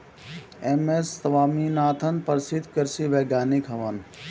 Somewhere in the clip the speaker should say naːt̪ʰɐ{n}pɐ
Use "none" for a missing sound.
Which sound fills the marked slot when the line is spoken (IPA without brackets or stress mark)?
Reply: n